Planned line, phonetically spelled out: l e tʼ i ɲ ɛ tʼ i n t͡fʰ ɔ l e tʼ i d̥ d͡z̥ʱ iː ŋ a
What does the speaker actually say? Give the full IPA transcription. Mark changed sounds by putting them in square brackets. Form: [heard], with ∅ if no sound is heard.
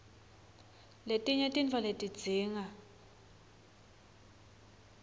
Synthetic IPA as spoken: l e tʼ i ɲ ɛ tʼ i n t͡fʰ ɔ l e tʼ i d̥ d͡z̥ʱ iː ŋ a